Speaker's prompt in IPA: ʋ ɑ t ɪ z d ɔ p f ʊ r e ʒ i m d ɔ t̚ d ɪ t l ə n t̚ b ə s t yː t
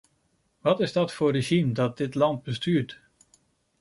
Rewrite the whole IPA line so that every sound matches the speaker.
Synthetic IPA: ʋ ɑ t ɪ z d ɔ t f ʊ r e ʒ i m d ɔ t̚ d ɪ t l ɑ n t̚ b ə s t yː t